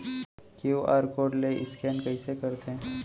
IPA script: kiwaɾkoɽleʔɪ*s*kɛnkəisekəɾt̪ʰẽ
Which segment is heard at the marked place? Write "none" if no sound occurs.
s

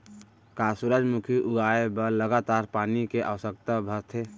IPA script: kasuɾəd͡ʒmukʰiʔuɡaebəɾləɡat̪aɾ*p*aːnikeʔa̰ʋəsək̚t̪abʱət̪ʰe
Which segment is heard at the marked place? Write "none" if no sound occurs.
p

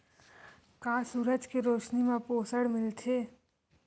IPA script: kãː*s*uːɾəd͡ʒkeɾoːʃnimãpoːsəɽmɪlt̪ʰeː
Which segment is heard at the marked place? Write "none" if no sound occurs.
s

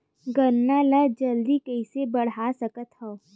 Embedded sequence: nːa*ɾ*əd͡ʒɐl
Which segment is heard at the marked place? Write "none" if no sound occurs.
l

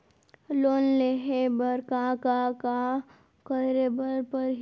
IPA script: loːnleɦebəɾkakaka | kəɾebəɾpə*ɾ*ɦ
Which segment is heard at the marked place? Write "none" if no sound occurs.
ɾ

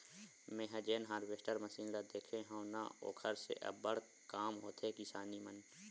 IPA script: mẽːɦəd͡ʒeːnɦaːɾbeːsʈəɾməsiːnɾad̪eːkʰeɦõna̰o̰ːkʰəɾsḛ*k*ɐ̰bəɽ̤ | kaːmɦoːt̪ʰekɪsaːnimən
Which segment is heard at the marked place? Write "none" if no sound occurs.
ʔ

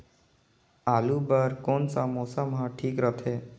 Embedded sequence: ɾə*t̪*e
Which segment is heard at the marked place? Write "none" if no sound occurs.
t̪ʰ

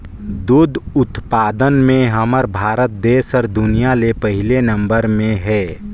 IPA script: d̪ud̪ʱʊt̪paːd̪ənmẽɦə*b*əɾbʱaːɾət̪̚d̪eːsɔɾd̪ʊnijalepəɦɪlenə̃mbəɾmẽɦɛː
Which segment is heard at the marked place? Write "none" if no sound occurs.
m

